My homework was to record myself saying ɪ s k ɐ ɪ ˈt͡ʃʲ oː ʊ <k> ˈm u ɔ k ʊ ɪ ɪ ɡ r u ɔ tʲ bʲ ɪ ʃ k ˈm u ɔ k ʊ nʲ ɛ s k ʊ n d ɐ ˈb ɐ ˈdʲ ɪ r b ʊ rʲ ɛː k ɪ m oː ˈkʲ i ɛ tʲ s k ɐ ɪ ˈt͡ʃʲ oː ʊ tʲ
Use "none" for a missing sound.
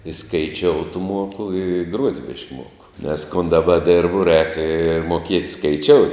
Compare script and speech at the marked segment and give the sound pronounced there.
t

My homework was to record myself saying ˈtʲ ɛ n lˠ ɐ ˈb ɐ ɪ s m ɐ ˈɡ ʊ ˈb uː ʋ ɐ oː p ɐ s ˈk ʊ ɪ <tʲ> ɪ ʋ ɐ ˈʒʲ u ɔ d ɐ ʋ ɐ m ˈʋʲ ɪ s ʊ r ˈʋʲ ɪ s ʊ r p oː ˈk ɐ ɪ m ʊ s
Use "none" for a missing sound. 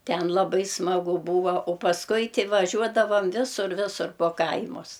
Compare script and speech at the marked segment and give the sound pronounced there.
tʲ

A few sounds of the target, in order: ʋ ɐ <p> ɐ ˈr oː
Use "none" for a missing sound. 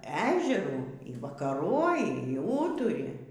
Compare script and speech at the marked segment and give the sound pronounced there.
k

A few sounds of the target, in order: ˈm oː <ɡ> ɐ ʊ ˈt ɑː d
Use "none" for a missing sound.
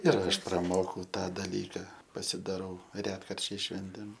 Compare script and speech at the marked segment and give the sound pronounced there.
k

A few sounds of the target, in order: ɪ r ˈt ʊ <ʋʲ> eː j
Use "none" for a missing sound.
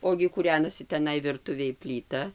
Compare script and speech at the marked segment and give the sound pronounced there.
ʋʲ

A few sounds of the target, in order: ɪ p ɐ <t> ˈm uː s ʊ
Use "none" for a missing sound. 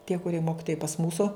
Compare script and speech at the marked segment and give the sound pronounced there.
s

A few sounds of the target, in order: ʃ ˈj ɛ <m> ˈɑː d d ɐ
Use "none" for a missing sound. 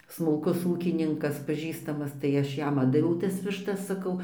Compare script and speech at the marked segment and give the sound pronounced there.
m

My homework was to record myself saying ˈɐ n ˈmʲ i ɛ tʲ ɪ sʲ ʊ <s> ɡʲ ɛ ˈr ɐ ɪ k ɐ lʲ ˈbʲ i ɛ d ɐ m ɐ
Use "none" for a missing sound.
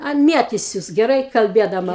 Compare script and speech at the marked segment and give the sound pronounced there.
s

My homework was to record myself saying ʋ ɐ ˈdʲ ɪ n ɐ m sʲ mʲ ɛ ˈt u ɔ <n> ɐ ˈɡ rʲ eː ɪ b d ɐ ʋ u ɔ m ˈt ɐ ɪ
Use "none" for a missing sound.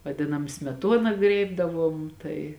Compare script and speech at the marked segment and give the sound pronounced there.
n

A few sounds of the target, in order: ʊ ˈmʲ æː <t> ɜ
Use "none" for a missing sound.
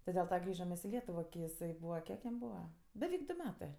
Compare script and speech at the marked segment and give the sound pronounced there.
t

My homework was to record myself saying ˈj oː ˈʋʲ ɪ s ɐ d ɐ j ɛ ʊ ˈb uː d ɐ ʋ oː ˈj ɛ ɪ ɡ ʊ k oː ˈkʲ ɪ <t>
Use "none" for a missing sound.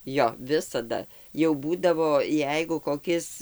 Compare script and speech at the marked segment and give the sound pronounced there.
s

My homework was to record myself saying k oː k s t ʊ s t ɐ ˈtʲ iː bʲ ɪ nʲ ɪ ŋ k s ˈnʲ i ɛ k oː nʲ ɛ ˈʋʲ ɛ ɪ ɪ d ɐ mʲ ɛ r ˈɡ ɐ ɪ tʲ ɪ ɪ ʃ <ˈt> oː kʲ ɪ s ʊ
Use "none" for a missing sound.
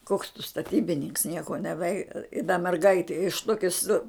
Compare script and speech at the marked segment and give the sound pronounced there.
t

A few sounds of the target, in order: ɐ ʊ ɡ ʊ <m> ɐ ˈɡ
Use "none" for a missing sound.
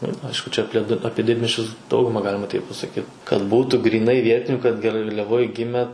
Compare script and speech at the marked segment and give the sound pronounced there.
m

